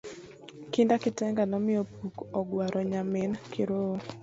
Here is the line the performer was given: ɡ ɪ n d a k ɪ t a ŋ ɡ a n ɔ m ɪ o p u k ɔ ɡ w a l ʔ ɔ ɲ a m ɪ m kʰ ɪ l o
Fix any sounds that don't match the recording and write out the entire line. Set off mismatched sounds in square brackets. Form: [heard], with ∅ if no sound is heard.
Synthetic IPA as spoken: [k] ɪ n d a k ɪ t [ɛ] ŋ ɡ a n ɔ m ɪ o p u k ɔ ɡ w a [ɾ] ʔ ɔ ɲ a m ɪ [n] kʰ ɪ [ɾ] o